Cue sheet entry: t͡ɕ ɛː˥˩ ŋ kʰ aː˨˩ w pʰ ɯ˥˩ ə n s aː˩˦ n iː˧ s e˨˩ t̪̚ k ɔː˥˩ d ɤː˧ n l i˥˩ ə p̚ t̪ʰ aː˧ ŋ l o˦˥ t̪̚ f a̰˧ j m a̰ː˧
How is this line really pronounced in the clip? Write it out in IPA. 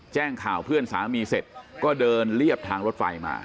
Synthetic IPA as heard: t͡ɕ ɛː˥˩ ŋ kʰ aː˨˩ w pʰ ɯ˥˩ ə n s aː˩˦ m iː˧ s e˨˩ t̪̚ k ɔː˥˩ d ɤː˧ n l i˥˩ ə p̚ t̪ʰ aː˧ ŋ ɾ o˦˥ t̪̚ f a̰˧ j m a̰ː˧